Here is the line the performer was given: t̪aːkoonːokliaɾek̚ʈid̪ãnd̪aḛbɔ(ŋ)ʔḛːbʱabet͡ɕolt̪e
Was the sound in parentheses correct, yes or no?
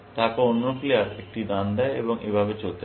yes